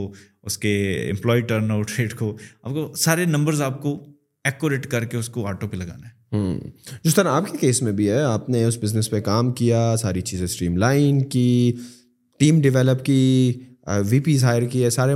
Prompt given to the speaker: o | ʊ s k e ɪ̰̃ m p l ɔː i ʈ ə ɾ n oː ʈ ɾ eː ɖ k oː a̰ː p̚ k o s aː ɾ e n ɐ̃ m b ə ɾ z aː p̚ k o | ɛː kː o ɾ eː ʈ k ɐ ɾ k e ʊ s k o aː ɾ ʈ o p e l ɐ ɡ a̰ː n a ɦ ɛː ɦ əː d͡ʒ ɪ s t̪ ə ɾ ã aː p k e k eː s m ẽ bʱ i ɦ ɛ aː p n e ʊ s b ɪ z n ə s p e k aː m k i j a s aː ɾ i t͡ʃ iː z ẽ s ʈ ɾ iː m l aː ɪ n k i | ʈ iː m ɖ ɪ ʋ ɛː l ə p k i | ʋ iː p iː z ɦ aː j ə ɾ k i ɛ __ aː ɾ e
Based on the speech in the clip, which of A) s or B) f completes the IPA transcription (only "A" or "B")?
A